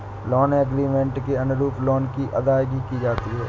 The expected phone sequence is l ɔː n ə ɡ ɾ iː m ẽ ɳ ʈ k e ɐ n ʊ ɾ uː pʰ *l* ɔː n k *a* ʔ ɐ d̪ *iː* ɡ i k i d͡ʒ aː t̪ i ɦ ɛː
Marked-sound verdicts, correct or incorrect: correct, incorrect, incorrect

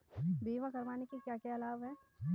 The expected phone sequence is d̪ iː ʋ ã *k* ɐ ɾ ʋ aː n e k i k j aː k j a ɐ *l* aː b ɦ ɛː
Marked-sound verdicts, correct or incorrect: correct, correct

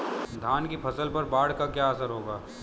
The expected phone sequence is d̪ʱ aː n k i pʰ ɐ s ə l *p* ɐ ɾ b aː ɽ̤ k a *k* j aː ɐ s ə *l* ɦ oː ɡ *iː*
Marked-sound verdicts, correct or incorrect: correct, correct, incorrect, incorrect

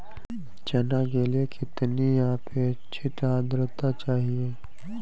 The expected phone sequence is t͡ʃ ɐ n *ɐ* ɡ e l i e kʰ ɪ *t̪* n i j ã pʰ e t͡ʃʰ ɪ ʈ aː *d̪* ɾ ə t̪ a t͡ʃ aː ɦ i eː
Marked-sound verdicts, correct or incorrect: incorrect, correct, correct

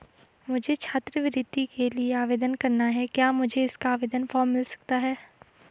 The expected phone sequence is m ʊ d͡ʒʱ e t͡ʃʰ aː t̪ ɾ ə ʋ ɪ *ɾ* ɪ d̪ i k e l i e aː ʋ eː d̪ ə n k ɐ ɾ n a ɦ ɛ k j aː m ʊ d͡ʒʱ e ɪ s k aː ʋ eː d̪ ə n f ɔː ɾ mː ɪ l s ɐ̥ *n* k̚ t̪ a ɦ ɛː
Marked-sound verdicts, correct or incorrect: correct, incorrect

